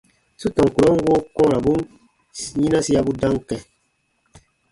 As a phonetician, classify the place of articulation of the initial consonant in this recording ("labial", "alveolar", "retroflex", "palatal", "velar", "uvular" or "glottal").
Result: alveolar